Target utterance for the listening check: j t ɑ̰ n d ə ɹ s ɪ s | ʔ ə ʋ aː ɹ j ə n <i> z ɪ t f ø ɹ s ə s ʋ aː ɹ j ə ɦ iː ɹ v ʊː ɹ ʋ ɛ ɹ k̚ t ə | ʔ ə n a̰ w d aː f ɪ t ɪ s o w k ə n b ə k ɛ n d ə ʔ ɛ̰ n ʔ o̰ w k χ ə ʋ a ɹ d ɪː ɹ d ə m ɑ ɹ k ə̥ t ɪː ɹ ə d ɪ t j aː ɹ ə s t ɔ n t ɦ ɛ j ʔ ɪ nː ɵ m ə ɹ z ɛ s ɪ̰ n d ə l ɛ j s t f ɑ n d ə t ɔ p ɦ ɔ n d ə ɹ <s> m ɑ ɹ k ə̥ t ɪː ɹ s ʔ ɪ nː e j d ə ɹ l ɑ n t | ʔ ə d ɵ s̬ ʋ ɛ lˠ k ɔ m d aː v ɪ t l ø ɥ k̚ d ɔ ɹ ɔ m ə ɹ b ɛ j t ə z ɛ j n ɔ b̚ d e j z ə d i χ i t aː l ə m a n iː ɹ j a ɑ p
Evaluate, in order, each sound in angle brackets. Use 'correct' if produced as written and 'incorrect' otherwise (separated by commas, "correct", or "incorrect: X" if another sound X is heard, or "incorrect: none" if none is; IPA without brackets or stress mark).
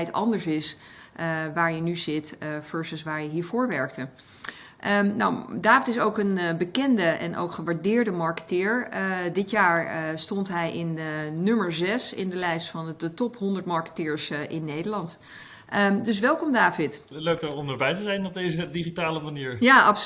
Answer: incorrect: y, incorrect: t